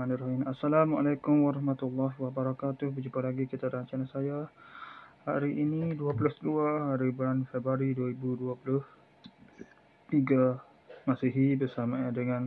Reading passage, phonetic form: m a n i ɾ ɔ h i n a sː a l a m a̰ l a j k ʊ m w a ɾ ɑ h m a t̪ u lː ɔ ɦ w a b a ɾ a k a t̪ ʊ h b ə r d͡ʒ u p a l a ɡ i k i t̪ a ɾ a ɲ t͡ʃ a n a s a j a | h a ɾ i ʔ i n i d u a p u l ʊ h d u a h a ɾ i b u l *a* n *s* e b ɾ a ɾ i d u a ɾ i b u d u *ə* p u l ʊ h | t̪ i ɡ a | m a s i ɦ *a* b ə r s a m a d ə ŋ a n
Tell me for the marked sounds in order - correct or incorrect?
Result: correct, incorrect: f, incorrect: a, incorrect: i

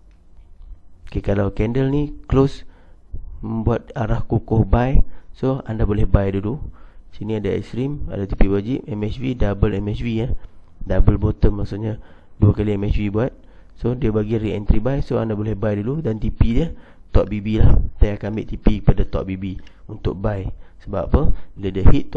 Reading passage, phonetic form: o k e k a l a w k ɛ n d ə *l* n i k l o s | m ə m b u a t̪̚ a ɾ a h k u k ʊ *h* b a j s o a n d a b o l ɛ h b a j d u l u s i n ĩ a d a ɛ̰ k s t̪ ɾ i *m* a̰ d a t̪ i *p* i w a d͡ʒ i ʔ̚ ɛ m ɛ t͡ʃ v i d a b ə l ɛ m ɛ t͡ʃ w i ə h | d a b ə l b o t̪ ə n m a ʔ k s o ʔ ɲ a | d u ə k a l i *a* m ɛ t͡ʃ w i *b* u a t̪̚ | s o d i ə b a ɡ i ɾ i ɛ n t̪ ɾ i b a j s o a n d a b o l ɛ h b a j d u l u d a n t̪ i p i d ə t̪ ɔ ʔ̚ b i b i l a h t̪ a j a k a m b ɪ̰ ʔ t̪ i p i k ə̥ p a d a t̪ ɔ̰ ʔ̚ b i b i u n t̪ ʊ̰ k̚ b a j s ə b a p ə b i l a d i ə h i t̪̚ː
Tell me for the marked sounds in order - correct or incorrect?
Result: correct, correct, correct, correct, incorrect: ɛ, correct

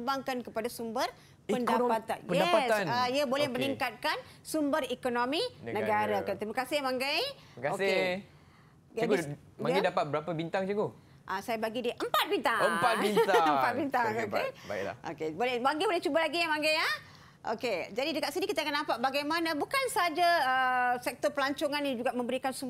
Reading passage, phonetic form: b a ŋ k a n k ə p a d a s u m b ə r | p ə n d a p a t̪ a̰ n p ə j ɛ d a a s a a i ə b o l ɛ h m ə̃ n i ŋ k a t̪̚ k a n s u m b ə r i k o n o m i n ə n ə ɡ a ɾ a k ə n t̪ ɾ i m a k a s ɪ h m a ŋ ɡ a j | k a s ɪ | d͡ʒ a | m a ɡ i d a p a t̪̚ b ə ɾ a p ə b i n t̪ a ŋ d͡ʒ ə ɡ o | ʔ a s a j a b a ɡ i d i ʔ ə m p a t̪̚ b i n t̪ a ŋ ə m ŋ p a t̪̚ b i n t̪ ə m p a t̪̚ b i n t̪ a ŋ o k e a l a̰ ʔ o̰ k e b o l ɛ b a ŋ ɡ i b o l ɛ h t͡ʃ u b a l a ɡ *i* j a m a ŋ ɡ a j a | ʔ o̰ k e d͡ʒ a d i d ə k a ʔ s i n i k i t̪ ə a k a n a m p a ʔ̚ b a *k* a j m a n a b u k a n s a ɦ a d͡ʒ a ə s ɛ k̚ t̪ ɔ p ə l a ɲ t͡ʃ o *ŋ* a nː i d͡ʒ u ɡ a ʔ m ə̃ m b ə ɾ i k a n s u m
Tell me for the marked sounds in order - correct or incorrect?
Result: correct, incorrect: ɡ, correct

